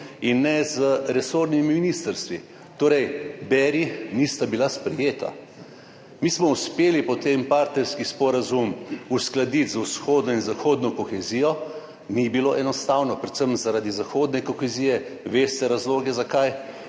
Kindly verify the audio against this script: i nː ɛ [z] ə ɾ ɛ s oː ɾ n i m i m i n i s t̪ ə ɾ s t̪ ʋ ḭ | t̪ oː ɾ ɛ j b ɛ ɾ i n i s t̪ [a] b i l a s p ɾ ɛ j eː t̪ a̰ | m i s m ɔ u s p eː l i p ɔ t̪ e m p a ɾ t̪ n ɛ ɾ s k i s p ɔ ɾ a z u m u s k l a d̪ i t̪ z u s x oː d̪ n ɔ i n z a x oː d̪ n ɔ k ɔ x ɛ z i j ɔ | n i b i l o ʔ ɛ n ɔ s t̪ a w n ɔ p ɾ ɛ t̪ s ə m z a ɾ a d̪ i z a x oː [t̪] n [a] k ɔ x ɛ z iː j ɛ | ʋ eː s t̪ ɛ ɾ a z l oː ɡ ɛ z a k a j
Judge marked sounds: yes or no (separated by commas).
yes, yes, no, no